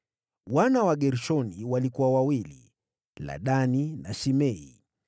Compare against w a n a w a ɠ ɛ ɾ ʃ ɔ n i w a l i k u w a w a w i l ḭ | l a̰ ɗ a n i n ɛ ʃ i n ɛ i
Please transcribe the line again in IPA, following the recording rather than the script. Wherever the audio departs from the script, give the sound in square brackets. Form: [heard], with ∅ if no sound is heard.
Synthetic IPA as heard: w a n a w a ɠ ɛ ɾ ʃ ɔ n i w a l i k u w a w a w i l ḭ | l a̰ ɗ a n i n [a] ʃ i [m] ɛ i